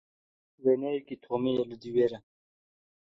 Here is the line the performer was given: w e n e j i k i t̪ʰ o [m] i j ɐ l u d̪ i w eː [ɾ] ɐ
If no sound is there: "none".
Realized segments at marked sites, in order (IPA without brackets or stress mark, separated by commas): m, ɾ